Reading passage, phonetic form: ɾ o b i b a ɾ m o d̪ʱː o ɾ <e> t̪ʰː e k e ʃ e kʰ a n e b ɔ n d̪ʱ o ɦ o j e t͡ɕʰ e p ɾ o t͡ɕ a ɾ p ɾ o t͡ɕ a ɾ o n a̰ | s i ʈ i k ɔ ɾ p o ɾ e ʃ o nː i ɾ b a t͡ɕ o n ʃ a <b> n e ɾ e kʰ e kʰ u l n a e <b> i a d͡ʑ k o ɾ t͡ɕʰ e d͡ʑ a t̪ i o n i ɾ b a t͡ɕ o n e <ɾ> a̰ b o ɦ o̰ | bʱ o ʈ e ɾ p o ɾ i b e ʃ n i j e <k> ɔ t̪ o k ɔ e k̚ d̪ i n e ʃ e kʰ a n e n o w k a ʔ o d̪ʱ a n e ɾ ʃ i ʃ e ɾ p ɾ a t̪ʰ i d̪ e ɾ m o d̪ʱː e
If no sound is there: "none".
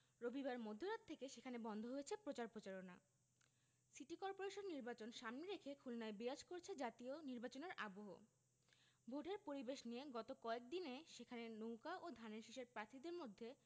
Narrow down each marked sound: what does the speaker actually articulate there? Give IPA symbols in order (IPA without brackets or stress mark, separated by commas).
a, m, b, ɾ, ɡ